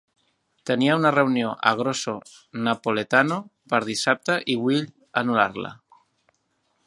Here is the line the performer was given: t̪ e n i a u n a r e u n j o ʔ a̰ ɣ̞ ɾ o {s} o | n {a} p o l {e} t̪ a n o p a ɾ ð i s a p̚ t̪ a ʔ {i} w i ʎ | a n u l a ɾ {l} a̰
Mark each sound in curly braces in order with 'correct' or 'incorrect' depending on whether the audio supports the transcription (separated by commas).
correct, correct, correct, correct, correct